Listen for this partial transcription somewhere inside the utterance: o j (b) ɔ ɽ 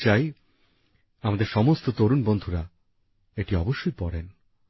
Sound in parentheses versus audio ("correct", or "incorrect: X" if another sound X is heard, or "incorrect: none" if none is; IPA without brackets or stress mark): incorrect: p